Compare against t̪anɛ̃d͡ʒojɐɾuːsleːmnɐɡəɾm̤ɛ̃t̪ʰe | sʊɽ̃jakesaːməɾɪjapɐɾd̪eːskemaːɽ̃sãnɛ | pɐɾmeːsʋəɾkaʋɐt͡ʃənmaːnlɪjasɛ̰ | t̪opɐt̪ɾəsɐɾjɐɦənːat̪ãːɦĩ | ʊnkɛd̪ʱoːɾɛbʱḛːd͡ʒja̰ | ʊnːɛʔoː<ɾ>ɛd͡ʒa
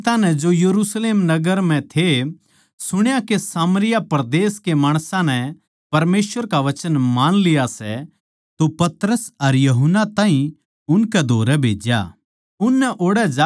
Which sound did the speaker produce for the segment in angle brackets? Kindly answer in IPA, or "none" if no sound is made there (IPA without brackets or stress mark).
ɽ